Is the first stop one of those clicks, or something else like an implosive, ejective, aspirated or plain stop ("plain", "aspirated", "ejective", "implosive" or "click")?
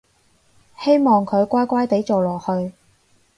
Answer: aspirated